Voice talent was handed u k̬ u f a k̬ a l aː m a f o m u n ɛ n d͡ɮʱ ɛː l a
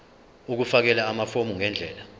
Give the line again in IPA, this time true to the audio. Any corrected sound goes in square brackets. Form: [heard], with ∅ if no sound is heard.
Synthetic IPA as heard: u k̬ u f a k̬ [ɛ] l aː m a f o m u [ŋ] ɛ n d͡ɮʱ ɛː l a